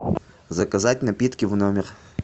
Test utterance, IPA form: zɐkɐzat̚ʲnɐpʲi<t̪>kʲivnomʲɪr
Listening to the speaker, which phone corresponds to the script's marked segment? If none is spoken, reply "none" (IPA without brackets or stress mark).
t̪